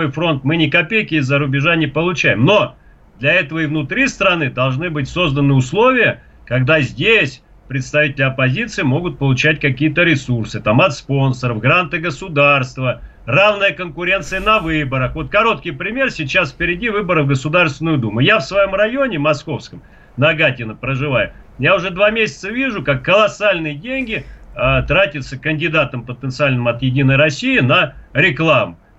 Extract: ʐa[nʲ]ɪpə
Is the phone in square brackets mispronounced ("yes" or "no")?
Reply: no